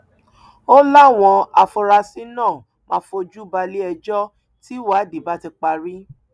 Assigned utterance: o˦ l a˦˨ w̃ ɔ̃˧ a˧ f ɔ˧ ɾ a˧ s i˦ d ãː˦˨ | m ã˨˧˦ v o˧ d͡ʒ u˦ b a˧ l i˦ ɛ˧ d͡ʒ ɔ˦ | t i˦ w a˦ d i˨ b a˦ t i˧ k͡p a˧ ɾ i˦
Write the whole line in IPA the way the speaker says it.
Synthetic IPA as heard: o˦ l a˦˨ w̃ ɔ̃˧ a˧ f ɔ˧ ɾ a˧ s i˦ n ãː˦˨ | m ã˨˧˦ f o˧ d͡ʒ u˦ b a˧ l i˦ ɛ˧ d͡ʒ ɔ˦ | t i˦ w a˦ d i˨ b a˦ t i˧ k͡p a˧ ɾ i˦